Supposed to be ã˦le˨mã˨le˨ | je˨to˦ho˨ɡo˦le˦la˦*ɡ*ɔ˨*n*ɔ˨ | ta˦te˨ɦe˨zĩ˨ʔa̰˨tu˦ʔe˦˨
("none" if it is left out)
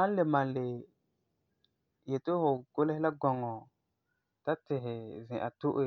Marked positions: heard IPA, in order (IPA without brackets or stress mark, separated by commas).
ɡ, ŋ